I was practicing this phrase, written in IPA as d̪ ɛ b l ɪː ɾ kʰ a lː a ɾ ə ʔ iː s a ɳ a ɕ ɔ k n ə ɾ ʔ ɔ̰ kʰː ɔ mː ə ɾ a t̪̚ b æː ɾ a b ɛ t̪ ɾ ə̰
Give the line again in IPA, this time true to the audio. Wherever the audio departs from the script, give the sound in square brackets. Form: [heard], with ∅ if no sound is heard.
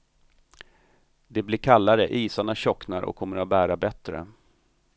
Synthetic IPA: d̪ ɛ b l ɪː ɾ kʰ a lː a ɾ ə ʔ iː s a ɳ a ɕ ɔ k n [a] ɾ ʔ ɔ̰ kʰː ɔ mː ə ɾ a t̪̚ b æː ɾ a b ɛ t̪ ɾ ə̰